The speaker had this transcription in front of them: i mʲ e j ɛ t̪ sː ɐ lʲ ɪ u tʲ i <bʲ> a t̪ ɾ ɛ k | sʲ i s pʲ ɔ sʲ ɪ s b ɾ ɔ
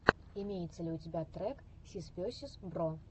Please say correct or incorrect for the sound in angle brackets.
correct